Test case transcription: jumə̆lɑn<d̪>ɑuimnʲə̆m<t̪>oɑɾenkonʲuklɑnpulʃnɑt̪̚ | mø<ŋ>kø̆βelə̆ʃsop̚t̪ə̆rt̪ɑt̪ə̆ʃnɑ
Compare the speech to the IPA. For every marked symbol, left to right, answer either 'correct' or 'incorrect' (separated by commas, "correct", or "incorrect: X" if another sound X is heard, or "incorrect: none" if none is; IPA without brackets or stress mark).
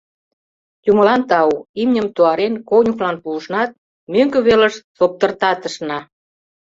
incorrect: t̪, correct, correct